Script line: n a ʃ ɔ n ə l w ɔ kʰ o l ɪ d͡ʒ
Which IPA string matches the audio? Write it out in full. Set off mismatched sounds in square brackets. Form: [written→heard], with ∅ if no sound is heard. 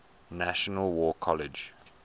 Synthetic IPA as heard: n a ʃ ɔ n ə l w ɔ kʰ [o→ɔ] l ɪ d͡ʒ